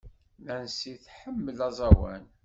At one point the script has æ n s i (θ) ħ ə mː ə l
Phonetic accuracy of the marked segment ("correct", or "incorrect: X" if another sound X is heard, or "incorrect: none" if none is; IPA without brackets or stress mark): correct